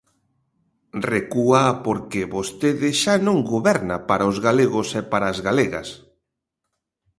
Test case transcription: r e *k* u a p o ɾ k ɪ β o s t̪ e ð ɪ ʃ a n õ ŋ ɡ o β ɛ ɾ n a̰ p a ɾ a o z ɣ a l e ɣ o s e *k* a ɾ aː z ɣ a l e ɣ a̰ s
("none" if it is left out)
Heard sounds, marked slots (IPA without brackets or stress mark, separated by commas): k, p